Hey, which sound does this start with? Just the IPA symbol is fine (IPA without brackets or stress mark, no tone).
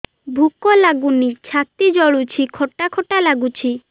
bʱ